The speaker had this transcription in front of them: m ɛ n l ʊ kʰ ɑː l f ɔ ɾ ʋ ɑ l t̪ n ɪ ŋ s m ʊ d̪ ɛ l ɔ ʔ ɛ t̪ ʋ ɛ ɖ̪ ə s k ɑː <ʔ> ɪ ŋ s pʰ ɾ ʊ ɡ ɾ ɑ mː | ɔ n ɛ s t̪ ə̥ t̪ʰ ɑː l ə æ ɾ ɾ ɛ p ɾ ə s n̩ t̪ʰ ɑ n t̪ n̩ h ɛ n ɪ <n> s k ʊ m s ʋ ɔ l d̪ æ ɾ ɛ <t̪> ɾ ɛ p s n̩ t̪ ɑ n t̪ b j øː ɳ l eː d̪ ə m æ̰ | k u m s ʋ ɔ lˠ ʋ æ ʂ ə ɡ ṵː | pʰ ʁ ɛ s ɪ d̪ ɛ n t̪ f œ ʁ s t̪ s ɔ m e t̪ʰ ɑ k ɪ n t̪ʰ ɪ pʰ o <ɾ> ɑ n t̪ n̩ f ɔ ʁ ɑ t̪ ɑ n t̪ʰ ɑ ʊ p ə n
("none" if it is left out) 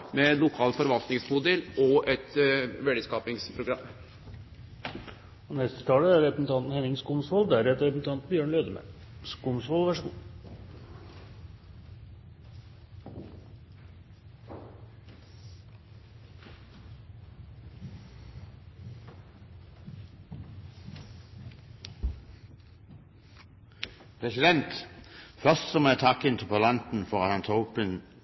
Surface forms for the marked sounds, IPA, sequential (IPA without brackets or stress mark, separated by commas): p, ŋ, t̪, l